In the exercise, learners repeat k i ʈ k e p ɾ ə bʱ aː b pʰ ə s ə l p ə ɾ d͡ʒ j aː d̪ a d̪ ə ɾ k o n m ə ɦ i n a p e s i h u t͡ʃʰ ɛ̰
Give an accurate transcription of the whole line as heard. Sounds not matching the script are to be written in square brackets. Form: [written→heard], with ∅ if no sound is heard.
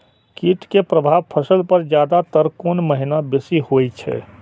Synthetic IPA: k i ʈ k e p ɾ ə bʱ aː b pʰ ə s ə l p ə ɾ d͡ʒ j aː d̪ a [d̪→t̪] ə ɾ k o n m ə ɦ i n a [p→b] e s i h [u→o] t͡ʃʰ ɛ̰

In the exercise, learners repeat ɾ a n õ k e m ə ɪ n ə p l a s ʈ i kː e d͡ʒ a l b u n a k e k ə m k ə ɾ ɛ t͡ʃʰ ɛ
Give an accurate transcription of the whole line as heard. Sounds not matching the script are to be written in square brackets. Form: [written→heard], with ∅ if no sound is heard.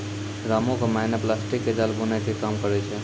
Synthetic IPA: ɾ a [n→m] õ k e m [ə→a] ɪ n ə p l a s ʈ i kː e d͡ʒ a l b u n a k e k [ə→a] m k ə ɾ ɛ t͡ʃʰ ɛ

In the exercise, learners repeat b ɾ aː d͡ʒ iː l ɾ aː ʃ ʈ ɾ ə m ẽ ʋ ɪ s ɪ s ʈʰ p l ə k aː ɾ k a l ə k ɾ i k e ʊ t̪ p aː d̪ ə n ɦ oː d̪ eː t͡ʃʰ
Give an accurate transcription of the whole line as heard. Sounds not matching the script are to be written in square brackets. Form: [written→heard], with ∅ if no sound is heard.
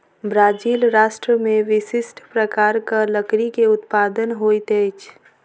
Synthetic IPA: b ɾ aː d͡ʒ iː l ɾ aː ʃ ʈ ɾ ə m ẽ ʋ ɪ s ɪ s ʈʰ p [l→ɾ] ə k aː ɾ k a l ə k ɾ i k e ʊ t̪ p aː d̪ ə n ɦ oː [d̪→t̪] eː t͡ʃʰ

